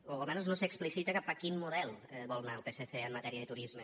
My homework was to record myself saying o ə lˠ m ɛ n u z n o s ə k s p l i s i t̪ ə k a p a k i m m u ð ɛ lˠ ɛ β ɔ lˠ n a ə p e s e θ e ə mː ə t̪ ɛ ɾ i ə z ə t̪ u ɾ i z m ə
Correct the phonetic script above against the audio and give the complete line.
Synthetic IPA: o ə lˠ m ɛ n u z n o s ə k s p l i s i t̪ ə k a p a k i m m u ð ɛ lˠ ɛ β ɔ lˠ n a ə p e s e θ e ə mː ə t̪ ɛ ɾ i ə ð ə t̪ u ɾ i z m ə